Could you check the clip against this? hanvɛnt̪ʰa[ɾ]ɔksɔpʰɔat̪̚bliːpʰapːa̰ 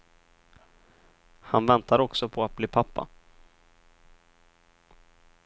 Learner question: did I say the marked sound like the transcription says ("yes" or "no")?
yes